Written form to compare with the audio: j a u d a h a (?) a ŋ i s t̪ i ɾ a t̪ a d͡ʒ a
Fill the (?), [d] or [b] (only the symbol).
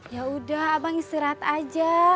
b